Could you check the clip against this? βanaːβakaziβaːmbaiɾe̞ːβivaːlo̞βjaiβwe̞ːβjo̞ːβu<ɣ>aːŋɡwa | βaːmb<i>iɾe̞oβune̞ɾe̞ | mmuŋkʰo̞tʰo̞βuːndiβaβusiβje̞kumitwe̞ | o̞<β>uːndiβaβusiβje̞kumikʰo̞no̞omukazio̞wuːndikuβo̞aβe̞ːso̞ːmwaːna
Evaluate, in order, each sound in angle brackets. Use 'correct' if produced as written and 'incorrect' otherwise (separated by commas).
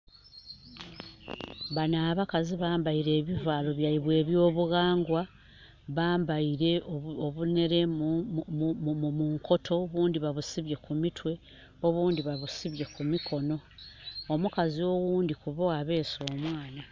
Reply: correct, incorrect, correct